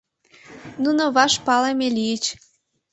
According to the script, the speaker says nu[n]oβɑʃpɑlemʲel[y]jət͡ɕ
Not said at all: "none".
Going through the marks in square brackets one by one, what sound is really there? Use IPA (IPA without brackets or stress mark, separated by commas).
n, i